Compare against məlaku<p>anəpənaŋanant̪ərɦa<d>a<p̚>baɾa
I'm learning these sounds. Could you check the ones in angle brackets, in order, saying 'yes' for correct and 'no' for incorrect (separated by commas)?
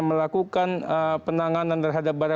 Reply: no, yes, yes